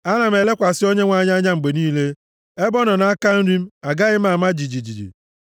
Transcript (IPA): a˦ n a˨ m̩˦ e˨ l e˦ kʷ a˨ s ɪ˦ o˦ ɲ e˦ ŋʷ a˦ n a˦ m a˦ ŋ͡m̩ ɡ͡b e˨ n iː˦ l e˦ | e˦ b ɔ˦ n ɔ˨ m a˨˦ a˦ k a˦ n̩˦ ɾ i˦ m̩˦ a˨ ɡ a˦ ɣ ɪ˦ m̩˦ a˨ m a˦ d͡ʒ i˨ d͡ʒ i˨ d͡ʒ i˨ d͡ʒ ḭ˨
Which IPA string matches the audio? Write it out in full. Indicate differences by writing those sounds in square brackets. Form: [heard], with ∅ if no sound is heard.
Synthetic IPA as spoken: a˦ n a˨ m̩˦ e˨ l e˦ kʷ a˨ s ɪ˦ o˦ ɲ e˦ ŋʷ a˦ [ɲ] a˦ [ɲ] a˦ ŋ͡m̩ ɡ͡b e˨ n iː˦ l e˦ | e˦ b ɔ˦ n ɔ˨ [n] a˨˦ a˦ k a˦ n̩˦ ɾ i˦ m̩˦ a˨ ɡ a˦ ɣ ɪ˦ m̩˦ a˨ m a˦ d͡ʒ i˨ d͡ʒ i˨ d͡ʒ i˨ d͡ʒ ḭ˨